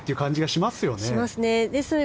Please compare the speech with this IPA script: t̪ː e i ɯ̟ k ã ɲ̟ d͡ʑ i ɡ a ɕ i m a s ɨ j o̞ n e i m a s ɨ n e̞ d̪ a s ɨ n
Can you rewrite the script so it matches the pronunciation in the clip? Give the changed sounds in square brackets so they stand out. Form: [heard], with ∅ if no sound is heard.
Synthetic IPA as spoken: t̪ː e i ɯ̟ k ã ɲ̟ d͡ʑ i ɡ a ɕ i m a s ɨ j o̞ n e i m a s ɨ n e̞ d̪ [e] s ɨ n